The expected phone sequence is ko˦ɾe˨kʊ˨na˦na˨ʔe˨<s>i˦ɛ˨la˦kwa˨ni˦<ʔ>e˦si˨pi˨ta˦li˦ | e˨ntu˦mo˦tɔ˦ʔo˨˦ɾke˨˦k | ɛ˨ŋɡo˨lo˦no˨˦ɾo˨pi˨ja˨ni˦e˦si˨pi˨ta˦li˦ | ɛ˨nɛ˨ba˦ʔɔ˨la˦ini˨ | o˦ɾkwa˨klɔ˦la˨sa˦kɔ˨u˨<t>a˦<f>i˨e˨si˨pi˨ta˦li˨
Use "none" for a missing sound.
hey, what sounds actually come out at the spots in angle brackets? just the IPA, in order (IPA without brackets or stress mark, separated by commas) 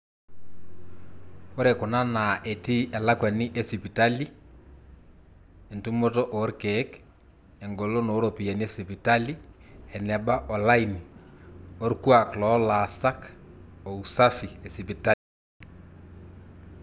t, ʔ, s, f